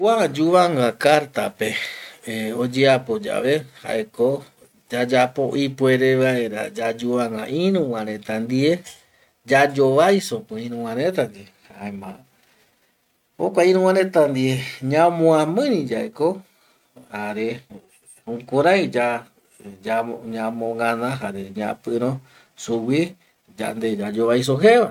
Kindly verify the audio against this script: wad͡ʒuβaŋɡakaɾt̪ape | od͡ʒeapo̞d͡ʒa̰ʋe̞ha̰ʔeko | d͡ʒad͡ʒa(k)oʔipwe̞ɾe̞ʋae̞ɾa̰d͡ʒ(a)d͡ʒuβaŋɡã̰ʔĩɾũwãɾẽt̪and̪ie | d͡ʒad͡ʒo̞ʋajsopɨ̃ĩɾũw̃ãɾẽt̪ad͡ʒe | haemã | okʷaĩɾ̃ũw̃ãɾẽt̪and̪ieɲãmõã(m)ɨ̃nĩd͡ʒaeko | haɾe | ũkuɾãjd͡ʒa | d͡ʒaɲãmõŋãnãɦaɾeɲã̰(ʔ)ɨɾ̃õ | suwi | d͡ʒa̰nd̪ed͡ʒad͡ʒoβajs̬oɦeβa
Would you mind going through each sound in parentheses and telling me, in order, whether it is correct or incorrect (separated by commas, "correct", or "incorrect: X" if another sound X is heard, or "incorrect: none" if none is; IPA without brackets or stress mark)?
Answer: incorrect: p, correct, correct, incorrect: p